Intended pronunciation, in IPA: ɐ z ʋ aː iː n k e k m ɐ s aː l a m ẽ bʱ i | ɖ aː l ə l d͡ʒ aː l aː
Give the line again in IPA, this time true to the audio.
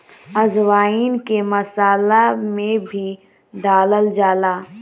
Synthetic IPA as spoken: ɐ z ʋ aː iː n k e m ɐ s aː l a m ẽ bʱ i | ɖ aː l ə l d͡ʒ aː l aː